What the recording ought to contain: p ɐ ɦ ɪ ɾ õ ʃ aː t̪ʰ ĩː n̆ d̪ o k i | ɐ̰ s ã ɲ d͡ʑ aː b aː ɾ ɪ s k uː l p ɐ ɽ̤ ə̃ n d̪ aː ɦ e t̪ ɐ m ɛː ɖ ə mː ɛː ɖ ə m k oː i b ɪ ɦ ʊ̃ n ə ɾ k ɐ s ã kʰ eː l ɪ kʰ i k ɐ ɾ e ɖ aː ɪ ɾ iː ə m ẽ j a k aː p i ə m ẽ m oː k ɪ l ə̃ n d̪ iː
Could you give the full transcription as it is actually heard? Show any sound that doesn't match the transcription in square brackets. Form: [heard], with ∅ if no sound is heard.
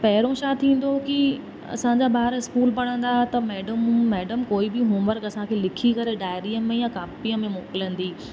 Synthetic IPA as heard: p ɐ ɦ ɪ ɾ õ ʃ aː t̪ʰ ĩː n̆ d̪ o k i | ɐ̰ s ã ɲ d͡ʑ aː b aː ɾ ɪ s k uː l p ɐ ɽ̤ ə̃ n d̪ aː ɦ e t̪ ɐ m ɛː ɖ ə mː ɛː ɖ ə m k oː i b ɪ ɦ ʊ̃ [m] ə ɾ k ɐ s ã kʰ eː l ɪ kʰ i k ɐ ɾ e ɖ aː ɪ ɾ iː ə m ẽ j a k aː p i ə m ẽ m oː k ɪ l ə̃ n d̪ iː